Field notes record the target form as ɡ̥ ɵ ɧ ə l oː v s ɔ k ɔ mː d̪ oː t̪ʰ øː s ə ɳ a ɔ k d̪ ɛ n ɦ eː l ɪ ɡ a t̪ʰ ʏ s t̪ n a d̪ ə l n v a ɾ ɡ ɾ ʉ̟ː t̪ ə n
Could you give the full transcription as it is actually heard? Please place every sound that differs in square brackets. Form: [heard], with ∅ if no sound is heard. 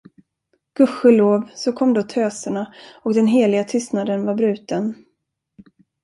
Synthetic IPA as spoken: ɡ̥ ɵ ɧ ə l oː v s ɔ [kʰ] ɔ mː d̪ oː t̪ʰ øː s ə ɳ a ɔ k d̪ ɛ n ɦ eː l ɪ ɡ a t̪ʰ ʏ s t̪ n a d̪ ə [∅] n v a ɾ [b] ɾ ʉ̟ː t̪ ə n